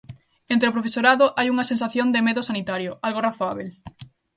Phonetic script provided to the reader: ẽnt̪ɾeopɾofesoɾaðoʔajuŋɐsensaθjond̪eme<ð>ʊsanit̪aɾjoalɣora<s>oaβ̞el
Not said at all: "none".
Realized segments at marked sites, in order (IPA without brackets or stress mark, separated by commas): ð, θ